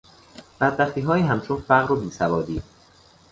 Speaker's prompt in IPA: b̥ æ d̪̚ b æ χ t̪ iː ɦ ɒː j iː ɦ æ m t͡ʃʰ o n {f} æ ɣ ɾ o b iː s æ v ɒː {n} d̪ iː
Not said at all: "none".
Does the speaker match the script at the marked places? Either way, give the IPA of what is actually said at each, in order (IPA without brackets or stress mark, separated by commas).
f, none